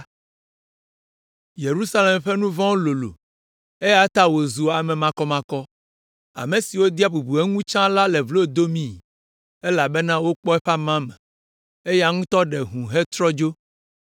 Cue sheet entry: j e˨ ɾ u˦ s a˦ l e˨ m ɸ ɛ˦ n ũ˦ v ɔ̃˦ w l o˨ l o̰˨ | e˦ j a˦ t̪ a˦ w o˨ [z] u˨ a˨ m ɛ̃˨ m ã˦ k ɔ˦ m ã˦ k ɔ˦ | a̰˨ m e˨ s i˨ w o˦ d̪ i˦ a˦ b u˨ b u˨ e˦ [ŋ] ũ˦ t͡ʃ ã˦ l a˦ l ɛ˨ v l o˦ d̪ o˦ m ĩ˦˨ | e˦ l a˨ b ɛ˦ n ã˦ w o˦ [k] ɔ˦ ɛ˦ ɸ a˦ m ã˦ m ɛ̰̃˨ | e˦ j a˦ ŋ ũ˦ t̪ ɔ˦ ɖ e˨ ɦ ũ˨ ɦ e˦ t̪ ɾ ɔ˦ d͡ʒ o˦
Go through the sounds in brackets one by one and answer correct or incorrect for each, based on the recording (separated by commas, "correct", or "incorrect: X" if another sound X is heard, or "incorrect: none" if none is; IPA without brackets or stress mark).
correct, correct, incorrect: k͡p